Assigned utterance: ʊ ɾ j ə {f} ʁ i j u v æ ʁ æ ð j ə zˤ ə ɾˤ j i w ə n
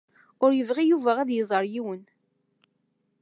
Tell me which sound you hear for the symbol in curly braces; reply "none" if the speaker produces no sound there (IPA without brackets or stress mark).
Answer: v